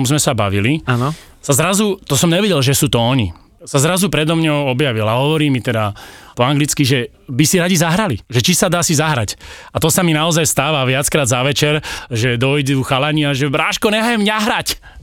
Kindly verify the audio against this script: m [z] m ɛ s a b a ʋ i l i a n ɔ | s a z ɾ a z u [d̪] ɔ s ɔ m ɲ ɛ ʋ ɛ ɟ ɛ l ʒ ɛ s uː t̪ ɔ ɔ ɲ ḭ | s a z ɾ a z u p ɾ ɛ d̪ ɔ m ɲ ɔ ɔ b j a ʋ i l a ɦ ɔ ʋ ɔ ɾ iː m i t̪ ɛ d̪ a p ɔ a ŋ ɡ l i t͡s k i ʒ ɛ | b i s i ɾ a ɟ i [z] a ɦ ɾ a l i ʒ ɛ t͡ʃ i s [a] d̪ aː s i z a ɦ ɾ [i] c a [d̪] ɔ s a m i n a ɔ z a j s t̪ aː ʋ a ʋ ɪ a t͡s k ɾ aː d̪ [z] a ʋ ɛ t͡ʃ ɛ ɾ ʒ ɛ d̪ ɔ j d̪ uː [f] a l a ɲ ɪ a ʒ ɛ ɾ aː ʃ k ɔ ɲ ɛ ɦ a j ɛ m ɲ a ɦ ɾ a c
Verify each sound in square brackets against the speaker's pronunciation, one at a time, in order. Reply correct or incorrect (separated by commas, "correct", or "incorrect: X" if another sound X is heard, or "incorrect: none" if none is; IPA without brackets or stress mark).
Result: correct, incorrect: t̪, correct, correct, incorrect: a, incorrect: t̪, correct, incorrect: x